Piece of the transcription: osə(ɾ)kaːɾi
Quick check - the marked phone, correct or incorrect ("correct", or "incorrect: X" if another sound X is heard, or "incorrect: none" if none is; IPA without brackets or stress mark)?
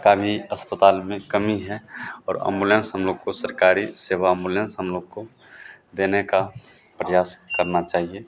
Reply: correct